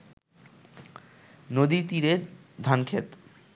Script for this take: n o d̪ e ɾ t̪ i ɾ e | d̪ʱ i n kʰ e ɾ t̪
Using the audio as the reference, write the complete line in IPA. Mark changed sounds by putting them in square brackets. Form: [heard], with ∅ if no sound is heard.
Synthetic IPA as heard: n o d̪ [i] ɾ t̪ i ɾ e | d̪ʱ [a] n kʰ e [∅] t̪